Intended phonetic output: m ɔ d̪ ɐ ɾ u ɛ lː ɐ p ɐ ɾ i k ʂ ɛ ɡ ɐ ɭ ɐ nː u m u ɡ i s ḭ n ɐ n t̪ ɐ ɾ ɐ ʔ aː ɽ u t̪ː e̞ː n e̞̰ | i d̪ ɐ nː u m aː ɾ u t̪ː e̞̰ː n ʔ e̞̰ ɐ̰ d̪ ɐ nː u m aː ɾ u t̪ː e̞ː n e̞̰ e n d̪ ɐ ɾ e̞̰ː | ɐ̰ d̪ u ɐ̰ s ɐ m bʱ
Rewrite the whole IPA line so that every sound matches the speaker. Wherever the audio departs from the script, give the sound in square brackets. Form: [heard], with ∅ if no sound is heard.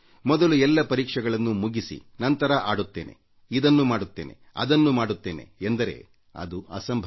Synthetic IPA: m ɔ d̪ ɐ [l] u ɛ lː ɐ p ɐ ɾ [iː] k ʂ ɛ ɡ ɐ ɭ ɐ nː u m u ɡ i s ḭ n ɐ n t̪ ɐ ɾ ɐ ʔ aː ɽ u t̪ː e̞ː n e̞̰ | i d̪ ɐ nː u m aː [ɽ] u t̪ː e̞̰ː n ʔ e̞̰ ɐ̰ d̪ ɐ nː u m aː [ɽ] u t̪ː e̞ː n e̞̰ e n d̪ ɐ ɾ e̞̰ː | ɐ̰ d̪ u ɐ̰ s ɐ m bʱ